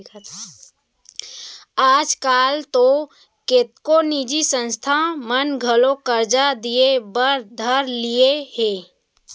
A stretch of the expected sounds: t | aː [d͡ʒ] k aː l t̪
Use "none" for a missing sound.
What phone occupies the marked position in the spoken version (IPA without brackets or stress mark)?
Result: d͡ʒ